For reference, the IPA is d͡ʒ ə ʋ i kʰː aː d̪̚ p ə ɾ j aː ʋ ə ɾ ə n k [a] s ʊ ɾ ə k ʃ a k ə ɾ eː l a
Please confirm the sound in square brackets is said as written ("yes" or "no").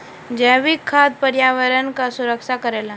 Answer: yes